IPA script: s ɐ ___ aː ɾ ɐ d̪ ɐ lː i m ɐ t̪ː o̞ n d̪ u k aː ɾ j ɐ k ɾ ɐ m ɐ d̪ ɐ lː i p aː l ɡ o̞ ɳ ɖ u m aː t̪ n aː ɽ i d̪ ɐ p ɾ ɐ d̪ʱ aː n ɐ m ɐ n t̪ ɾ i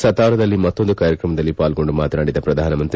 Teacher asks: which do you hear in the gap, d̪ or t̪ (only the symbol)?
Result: t̪